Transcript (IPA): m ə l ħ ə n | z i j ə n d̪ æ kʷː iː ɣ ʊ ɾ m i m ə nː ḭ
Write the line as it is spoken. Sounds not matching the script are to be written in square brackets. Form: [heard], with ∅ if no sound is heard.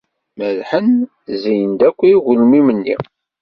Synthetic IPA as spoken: m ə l ħ ə n | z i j ə n d̪ æ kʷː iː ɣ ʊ [l] m i m ə nː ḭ